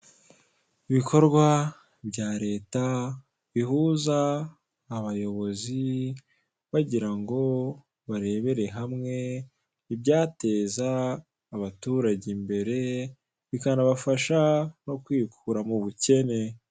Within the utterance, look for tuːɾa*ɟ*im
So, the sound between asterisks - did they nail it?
yes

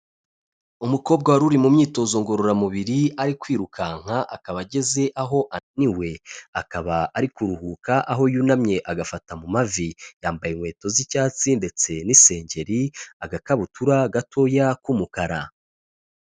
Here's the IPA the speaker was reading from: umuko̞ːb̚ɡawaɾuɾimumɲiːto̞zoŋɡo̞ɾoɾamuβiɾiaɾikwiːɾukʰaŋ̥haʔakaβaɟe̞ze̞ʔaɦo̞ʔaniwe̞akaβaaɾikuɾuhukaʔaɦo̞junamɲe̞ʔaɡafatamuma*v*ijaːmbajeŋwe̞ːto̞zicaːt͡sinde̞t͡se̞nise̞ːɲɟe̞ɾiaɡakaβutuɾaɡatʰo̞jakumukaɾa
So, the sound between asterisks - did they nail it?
yes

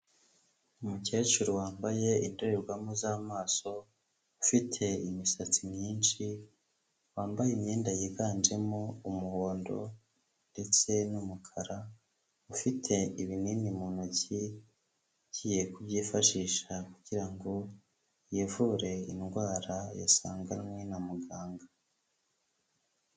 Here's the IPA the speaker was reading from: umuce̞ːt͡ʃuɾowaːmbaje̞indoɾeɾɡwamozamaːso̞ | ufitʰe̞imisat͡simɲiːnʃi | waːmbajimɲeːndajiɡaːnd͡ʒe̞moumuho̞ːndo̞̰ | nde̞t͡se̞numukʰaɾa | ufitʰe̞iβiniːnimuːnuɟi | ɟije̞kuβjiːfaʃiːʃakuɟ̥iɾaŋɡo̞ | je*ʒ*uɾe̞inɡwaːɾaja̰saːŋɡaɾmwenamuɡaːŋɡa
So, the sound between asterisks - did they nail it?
no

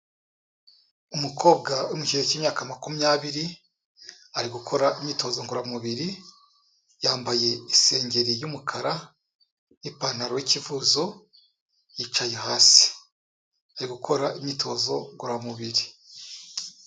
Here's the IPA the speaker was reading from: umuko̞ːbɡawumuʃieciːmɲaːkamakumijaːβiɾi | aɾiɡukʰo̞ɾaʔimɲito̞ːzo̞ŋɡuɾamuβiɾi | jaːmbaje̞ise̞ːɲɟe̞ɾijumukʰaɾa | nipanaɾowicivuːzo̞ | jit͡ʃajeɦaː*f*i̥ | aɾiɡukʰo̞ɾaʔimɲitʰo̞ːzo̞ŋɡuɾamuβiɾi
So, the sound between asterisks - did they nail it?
no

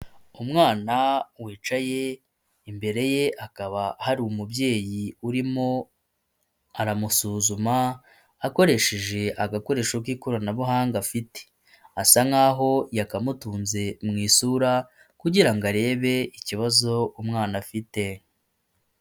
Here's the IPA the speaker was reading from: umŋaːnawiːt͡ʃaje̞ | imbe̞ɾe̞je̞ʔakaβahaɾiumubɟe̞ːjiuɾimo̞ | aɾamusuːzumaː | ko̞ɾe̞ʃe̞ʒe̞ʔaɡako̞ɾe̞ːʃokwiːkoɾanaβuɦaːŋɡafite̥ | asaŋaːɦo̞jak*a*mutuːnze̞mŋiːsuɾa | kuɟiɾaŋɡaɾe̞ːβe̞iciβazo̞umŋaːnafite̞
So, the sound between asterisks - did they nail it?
yes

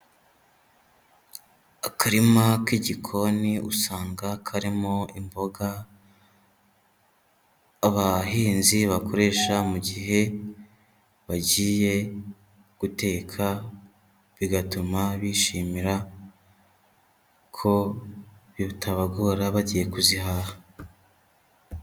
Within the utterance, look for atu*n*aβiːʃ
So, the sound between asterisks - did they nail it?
no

